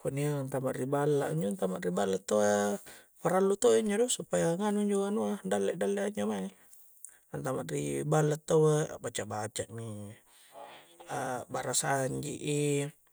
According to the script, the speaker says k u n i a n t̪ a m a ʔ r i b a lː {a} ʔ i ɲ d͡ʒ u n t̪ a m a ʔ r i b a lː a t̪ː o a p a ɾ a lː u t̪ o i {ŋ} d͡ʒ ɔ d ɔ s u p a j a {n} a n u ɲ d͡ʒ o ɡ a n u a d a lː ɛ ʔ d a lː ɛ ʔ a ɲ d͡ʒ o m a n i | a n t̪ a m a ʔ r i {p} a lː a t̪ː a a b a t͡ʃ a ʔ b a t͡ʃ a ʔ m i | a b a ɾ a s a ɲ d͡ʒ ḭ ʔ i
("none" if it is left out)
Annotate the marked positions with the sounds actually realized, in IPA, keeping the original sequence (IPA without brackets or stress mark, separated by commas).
a, ɲ, ŋ, b